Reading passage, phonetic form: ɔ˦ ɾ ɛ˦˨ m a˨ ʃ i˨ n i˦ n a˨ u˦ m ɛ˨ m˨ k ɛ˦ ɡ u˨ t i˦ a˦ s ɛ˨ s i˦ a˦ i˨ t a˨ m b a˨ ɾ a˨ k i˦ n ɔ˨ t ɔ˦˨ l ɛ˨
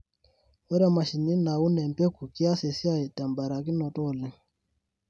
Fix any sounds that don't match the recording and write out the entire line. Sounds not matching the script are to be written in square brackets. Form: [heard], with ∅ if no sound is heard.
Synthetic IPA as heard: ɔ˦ ɾ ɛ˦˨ m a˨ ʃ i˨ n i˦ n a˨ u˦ [n] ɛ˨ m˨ [p] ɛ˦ [k] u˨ [k] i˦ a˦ s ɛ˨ s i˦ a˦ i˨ t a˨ m b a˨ ɾ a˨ k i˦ n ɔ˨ t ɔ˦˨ l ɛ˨